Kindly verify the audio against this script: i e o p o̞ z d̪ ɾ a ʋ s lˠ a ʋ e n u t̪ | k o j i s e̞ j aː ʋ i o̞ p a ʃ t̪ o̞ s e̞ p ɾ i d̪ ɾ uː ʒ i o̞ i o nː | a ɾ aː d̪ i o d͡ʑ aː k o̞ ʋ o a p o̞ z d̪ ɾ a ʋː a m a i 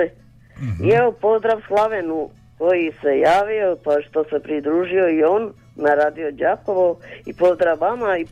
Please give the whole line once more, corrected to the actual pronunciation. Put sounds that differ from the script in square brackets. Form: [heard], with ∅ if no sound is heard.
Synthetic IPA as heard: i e o p o̞ z d̪ ɾ a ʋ s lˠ a ʋ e n u [∅] | k o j i s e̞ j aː ʋ i o̞ p a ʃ t̪ o̞ s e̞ p ɾ i d̪ ɾ uː ʒ i o̞ i o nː | a ɾ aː d̪ i o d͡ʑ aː k o̞ ʋ o [i] p o̞ z d̪ ɾ a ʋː a m a i